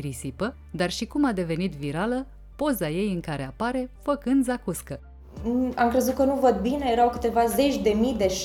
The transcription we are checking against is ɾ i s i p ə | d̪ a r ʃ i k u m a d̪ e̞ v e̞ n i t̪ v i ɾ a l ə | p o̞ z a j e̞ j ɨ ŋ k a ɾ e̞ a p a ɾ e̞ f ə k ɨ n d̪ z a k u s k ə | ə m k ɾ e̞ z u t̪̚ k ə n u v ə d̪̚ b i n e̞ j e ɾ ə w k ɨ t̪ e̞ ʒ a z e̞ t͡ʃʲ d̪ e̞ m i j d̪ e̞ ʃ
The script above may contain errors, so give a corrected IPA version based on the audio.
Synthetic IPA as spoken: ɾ i s i p ə | d̪ a r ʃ i k u m a d̪ e̞ v e̞ n i t̪ v i ɾ a l ə | p o̞ z a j e̞ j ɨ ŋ k a ɾ e̞ a p a ɾ e̞ f ə k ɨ n d̪ z a k u s k ə | a m k ɾ e̞ z u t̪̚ k ə n u v ə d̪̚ b i n e̞ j e ɾ a w k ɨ t̪ e̞ v a z e̞ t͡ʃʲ d̪ e̞ m i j d̪ e̞ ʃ